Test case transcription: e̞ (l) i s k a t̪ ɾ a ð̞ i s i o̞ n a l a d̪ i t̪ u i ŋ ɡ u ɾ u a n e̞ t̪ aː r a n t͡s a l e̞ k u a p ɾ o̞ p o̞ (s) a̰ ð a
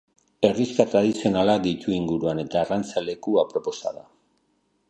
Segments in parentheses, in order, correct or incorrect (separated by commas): incorrect, correct